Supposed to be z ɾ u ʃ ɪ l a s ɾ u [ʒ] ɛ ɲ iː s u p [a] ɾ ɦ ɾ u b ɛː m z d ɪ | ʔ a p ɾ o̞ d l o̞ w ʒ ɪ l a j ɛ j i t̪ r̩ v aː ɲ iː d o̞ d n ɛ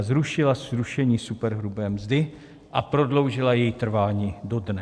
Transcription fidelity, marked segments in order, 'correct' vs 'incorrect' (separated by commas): incorrect, incorrect